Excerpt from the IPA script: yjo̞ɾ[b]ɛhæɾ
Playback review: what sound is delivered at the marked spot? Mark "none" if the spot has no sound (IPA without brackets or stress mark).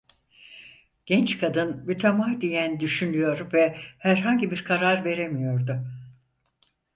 v